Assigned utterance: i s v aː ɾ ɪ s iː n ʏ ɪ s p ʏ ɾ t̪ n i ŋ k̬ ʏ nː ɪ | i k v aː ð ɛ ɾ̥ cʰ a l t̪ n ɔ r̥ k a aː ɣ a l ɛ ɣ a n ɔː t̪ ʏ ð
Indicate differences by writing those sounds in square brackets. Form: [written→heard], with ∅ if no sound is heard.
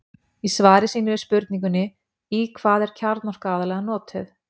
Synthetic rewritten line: i s v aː ɾ ɪ s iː n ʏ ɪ s p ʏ ɾ t̪ n i ŋ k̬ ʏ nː ɪ | i [k→kʰ] v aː ð ɛ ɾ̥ cʰ a [l→ɾ] t̪ n ɔ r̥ k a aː [ɣ→ð] a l ɛ ɣ a n ɔː t̪ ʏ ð